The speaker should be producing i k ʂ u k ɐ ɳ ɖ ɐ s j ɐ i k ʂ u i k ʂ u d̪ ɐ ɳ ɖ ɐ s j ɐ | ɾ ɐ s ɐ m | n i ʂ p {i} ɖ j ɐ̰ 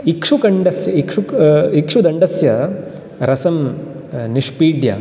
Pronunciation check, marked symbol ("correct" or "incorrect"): incorrect